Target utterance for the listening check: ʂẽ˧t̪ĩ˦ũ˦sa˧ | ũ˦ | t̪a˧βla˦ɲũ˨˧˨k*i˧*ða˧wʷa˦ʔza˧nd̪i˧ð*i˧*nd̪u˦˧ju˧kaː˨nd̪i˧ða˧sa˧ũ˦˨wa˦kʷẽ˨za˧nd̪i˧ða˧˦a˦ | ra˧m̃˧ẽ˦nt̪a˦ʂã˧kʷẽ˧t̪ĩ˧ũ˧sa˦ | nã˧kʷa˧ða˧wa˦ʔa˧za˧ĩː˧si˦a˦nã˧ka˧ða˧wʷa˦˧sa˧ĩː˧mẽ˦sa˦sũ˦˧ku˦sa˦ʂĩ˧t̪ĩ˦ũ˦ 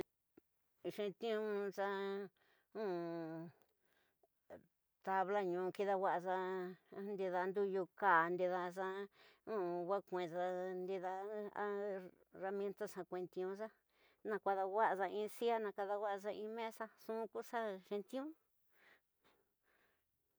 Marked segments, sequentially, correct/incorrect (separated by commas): correct, incorrect